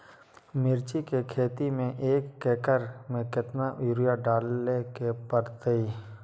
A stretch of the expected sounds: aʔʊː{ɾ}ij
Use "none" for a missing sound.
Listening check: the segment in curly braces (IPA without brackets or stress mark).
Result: ɾ